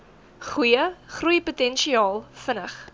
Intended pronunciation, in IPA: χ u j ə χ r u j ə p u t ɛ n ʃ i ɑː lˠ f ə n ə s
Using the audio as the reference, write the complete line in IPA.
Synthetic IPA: χ u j ə χ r u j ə p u t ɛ n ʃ i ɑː lˠ f ə n ə χ